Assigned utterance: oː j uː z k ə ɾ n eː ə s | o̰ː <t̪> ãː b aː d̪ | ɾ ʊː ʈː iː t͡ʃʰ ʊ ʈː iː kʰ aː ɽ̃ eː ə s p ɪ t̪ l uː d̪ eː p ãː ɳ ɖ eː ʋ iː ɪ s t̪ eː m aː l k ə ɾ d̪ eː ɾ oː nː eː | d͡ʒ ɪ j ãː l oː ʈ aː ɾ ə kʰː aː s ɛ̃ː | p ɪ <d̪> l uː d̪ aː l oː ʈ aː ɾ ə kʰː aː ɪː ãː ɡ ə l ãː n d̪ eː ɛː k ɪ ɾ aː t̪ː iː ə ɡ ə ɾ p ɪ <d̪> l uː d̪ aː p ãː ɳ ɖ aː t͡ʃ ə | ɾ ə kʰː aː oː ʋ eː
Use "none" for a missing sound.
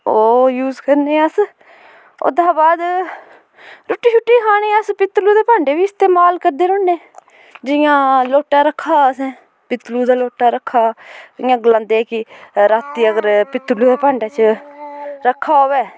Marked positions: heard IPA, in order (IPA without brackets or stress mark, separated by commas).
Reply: d̪, t̪, t̪